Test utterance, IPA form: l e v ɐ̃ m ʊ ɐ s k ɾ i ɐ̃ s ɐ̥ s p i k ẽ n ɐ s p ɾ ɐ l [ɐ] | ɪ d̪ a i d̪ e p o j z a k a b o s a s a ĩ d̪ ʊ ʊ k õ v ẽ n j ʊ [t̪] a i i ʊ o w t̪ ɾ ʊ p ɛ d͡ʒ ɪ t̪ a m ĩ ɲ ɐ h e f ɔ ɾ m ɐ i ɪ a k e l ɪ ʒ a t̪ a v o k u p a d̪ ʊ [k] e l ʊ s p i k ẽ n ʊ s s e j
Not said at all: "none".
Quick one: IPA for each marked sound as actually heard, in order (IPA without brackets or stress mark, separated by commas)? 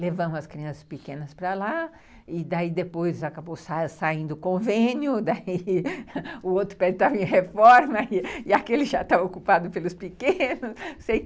a, d̪, p